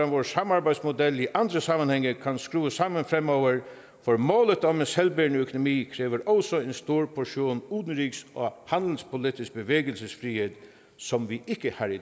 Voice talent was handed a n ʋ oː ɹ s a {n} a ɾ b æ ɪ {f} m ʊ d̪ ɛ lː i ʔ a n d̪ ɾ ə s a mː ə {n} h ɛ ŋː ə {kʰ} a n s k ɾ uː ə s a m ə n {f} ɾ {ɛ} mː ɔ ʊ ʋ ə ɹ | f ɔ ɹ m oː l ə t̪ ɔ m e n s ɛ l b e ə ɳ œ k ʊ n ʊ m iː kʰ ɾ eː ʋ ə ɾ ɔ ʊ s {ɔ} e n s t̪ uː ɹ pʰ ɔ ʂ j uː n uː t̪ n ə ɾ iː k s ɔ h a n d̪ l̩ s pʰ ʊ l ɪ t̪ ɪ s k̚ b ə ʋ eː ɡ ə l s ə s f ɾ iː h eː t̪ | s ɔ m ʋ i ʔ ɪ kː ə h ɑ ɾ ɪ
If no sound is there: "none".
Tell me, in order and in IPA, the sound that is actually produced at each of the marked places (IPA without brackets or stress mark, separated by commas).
m, s, n, kʰ, f, ɛ, ɔ